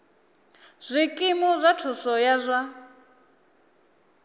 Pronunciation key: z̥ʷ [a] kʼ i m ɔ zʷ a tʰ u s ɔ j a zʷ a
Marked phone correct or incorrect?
incorrect